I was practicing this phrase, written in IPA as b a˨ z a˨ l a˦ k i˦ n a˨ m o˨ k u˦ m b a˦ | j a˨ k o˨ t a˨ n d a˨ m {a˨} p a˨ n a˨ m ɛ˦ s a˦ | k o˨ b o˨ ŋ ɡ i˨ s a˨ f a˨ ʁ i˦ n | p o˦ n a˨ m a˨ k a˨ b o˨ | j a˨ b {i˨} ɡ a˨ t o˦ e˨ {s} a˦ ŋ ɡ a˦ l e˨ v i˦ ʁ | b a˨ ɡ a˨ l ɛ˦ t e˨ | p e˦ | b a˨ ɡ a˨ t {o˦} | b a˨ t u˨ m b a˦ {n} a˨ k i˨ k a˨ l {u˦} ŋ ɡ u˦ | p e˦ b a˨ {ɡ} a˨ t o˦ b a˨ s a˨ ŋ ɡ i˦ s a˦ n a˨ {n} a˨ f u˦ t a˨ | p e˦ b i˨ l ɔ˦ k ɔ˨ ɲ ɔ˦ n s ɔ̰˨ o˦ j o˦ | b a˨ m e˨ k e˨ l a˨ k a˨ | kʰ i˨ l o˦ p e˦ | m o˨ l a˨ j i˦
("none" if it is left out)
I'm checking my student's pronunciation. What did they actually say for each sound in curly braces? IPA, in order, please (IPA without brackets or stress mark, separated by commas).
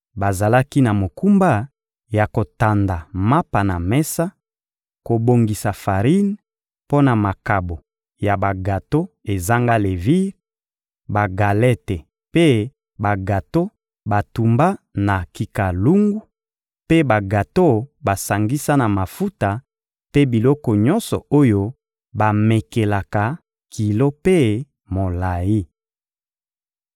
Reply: a˦, a˨, z, o˦, n, u˦, ɡ, m